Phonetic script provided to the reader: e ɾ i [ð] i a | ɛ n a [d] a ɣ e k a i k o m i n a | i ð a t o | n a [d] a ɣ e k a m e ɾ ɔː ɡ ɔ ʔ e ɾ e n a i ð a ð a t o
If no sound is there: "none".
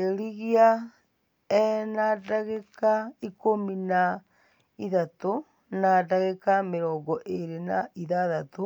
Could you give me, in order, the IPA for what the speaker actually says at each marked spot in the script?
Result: ɣ, d, d

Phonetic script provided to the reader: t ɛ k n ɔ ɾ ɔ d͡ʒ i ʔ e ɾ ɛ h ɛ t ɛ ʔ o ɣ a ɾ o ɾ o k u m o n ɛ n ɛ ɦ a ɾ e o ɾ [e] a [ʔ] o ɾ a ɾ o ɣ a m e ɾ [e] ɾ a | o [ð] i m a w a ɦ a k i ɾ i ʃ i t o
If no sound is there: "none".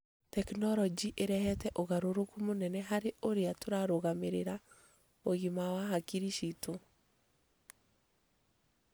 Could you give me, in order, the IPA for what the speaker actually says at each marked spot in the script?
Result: e, t, e, ɣ

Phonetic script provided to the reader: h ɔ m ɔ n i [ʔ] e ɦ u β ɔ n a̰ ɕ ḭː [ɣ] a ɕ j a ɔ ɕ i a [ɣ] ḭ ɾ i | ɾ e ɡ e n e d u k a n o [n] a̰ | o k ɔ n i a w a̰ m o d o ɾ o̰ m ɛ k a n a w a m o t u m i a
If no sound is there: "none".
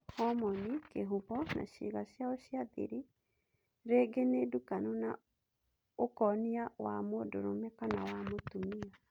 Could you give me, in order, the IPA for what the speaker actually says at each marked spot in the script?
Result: k, ɣ, ð, n

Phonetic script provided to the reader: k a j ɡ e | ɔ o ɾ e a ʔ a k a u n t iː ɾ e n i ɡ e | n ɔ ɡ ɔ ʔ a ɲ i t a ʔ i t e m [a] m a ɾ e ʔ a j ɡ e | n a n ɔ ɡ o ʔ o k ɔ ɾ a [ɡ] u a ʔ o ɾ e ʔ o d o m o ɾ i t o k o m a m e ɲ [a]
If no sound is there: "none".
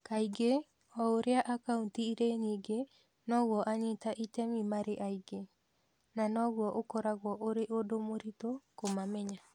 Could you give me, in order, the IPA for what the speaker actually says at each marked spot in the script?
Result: i, ɡ, a

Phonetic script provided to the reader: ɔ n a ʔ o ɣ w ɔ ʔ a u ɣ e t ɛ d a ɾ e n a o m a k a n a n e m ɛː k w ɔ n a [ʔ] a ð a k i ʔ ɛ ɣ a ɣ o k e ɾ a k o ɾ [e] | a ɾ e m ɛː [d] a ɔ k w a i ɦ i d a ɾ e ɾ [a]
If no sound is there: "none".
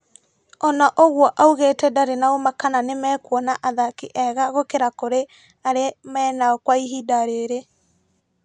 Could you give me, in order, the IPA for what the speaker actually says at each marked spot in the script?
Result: ʔ, e, n, e

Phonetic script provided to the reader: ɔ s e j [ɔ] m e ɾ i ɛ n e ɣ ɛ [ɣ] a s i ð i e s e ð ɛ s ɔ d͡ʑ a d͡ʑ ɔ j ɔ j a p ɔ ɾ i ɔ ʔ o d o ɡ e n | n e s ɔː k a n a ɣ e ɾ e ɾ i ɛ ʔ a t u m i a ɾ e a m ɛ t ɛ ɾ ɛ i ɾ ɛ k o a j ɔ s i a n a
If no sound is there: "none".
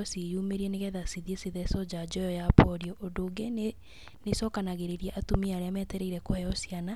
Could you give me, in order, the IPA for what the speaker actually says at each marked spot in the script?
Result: u, ð

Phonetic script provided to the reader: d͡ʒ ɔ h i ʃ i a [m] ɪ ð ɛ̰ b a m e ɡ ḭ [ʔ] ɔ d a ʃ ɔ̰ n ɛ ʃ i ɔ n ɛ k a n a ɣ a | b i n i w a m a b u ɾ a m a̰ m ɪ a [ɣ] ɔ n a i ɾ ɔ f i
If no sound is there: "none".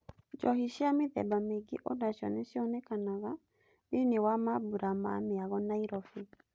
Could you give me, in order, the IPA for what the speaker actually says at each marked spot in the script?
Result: m, ʔ, ɣ

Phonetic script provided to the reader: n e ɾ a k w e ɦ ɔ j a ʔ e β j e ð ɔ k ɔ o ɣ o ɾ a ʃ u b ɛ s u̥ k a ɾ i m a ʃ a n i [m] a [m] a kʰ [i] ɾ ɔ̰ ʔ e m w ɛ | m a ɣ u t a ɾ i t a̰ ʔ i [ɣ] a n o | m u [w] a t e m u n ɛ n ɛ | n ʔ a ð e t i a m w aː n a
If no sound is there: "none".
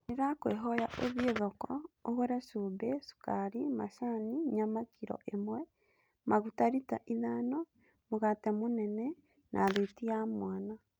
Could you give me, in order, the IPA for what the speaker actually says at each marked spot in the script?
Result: ɲ, m, i, ð, ɣ

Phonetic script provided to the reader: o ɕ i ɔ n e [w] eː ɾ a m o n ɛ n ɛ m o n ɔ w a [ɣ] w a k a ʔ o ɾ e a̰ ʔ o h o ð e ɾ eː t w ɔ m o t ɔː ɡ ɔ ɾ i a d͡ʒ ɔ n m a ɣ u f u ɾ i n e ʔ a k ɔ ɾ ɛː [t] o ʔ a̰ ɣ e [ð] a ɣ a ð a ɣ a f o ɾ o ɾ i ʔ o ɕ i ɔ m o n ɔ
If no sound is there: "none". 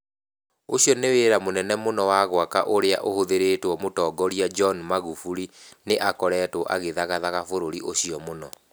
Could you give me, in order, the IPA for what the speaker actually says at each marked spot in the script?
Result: w, ɣ, t, ð

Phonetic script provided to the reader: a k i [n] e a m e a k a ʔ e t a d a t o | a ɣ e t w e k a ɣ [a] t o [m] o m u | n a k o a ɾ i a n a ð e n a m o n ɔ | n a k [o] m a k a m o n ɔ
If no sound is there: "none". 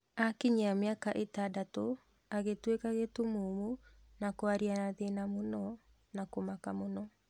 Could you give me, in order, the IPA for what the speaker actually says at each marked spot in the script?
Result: ɲ, e, m, o

